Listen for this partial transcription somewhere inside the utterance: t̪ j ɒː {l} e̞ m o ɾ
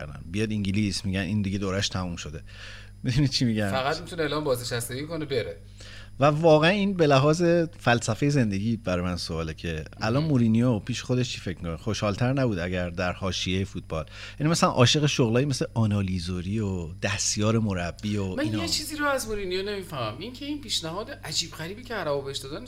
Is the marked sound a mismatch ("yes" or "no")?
yes